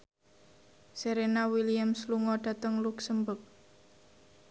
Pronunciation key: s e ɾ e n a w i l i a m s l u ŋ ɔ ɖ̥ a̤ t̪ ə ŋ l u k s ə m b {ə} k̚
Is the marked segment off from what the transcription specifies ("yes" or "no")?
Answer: no